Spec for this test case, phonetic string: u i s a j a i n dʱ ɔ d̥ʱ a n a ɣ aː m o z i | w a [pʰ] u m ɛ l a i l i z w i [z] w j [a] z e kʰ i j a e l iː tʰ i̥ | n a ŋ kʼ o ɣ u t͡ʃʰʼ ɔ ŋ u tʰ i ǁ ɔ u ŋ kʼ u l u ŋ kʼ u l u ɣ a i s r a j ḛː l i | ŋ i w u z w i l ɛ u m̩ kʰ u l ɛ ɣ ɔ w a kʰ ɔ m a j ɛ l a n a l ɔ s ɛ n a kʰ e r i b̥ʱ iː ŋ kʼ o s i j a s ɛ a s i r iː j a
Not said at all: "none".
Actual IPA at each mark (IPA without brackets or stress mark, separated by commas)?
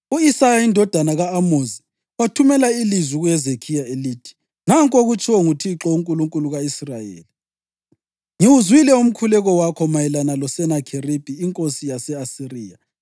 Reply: tʰ, ɣ, ɛ